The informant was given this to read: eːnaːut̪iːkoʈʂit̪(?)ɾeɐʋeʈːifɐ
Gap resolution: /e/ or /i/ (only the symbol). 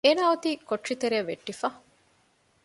e